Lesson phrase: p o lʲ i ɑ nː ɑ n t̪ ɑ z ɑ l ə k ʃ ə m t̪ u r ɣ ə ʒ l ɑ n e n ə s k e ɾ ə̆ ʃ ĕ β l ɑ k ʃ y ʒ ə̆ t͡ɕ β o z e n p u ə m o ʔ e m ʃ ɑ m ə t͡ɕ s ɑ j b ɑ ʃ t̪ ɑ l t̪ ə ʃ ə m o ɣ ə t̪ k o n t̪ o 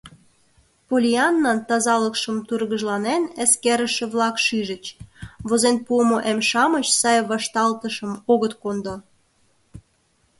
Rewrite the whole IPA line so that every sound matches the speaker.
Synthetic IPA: p o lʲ i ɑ nː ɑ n t̪ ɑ z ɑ l ə k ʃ ə m t̪ u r ɣ ə ʒ l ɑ n e n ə s k e ɾ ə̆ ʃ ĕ β l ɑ k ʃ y ʒ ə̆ t͡ɕ β o z e n p u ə m o ʔ e m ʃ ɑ m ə t͡ɕ s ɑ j β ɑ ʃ t̪ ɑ l t̪ ə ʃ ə m o ɣ ə t̪ k o n d̪ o